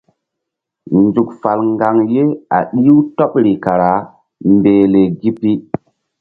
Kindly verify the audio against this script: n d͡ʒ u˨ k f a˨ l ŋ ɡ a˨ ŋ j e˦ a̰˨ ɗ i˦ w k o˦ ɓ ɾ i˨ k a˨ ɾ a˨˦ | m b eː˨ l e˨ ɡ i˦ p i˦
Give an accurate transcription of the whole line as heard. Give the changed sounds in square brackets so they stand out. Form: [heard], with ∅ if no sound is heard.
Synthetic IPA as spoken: n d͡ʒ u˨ k f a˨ l ŋ ɡ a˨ ŋ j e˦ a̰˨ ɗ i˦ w [t] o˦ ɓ ɾ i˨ k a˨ ɾ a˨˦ | m b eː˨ l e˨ ɡ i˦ p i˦